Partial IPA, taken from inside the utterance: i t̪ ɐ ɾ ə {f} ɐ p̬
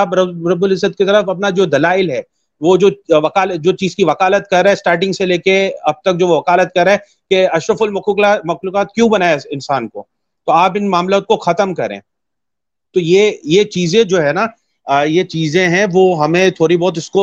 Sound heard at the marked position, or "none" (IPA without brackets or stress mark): f